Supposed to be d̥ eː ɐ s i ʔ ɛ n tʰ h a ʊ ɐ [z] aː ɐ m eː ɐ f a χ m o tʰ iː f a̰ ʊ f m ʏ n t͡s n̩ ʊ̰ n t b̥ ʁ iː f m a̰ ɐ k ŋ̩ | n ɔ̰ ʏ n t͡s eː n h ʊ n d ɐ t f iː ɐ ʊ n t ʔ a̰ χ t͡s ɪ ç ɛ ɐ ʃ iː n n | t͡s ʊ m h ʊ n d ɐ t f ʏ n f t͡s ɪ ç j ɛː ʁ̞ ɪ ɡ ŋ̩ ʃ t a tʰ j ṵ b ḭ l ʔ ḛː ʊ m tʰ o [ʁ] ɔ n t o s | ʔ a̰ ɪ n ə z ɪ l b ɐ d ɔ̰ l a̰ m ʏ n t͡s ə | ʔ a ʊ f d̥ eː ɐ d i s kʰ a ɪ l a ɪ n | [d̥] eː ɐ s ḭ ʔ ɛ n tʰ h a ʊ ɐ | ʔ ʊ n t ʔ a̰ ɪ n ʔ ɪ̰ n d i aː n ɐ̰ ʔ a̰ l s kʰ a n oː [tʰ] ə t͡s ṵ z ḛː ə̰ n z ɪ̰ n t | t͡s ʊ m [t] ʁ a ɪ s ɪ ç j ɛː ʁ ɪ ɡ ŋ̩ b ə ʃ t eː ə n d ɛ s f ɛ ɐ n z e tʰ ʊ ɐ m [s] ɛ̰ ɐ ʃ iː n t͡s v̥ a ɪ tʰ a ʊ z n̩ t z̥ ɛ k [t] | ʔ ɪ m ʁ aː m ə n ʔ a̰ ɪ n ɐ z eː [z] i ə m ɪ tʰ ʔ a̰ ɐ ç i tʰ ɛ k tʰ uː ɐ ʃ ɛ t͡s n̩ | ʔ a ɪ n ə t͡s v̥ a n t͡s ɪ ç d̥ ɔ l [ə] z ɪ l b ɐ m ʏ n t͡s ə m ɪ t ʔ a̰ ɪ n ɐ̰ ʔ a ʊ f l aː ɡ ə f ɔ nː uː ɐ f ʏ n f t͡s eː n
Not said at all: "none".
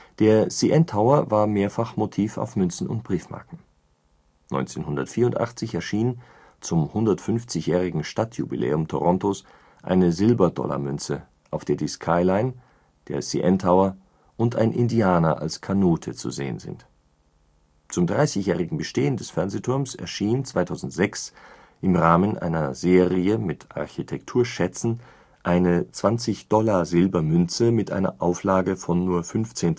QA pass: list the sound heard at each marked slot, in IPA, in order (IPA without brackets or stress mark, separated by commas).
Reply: v, ʁ, d̥, tʰ, d, s, s, ʁ, a